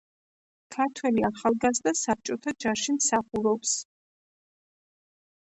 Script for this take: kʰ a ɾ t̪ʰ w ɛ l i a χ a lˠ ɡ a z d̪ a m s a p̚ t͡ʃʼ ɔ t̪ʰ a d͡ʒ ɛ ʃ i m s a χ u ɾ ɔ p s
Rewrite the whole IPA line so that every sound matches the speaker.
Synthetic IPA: kʰ a ɾ t̪ʰ w ɛ l i a χ a lˠ ɡ a z d̪ a s a p̚ t͡ʃʼ ɔ t̪ʰ a d͡ʒ a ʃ i m s a χ u ɾ ɔ p s